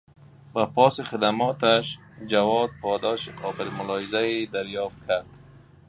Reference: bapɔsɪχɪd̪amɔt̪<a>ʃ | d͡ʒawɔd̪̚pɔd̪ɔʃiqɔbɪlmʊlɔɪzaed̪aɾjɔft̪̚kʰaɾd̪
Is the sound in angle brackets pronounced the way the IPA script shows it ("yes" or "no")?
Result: yes